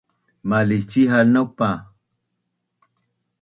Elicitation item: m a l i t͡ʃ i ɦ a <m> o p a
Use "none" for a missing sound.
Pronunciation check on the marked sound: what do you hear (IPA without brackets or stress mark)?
n